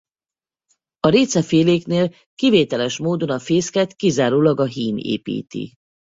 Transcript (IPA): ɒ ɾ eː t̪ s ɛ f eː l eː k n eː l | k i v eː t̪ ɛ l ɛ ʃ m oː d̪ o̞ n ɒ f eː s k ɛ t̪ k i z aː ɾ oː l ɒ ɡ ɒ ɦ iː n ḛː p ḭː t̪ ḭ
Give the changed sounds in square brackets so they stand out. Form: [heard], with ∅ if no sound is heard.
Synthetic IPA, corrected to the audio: ɒ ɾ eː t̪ s ɛ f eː l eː k n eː l | k i v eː t̪ ɛ l ɛ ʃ m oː d̪ o̞ n ɒ f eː s k ɛ t̪ k i z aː ɾ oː l ɒ ɡ ɒ ɦ iː n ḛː p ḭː t̪ ḭ